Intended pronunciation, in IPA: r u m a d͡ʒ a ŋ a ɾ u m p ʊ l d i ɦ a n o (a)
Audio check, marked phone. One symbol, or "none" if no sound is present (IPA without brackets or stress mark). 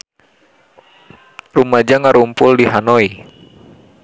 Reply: i